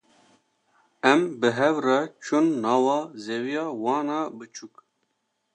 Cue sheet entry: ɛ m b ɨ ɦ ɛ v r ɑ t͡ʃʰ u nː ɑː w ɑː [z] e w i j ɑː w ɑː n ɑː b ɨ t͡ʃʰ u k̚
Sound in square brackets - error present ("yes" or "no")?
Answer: no